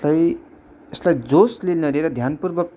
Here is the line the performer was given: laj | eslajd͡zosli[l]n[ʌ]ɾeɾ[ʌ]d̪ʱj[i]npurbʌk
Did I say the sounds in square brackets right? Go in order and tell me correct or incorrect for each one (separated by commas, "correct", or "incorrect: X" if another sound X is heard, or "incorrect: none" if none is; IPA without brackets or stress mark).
correct, correct, correct, incorrect: a